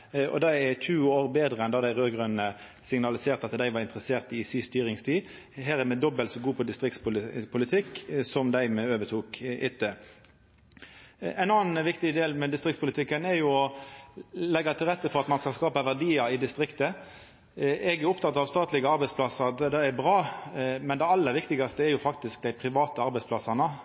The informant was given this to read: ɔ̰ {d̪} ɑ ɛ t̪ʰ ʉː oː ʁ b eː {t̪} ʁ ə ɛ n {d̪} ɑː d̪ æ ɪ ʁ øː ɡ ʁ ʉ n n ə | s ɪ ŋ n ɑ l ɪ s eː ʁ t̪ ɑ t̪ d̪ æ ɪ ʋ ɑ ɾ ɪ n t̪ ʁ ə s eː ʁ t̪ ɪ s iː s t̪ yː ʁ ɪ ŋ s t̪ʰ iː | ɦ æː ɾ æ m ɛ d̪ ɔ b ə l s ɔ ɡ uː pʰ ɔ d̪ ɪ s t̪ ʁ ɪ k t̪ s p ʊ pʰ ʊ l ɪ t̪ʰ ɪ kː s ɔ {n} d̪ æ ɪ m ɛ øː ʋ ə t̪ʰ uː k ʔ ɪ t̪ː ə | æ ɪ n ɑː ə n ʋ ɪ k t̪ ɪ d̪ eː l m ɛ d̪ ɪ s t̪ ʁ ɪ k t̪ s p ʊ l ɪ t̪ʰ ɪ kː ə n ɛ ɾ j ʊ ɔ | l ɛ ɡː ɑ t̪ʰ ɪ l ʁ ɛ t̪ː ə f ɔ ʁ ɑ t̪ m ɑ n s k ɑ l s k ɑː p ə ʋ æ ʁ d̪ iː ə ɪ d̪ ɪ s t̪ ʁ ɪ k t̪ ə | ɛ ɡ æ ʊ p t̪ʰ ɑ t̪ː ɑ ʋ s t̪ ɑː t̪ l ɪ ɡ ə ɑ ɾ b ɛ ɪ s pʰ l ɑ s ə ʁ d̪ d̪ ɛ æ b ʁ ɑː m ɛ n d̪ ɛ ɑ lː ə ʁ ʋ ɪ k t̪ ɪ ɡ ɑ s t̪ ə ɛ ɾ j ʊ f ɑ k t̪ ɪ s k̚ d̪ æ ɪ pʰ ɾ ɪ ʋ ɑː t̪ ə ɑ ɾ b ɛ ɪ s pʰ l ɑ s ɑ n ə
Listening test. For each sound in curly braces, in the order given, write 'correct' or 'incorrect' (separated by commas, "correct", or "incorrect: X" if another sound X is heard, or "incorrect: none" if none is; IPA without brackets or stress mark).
correct, incorrect: d̪, correct, incorrect: m